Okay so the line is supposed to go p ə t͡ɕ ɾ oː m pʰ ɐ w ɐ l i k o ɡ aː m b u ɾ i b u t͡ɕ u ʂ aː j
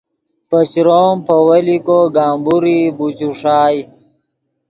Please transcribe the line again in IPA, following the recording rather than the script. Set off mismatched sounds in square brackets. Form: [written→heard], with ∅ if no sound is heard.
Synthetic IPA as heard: p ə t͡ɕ ɾ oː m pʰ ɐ w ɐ l i k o ɡ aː m b u ɾ i b u t͡ɕ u ʂ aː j